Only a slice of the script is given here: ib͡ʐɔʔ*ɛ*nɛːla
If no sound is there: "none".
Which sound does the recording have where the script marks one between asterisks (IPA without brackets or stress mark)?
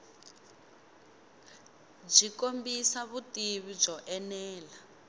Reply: ɛ